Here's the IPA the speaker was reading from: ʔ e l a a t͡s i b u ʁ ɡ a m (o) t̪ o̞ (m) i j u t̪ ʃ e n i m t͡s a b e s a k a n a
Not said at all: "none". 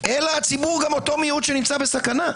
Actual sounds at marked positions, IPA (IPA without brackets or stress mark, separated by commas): o, m